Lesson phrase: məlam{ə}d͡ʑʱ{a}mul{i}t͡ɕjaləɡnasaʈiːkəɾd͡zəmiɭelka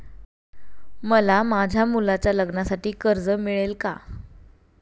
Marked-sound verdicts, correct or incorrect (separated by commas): incorrect, correct, incorrect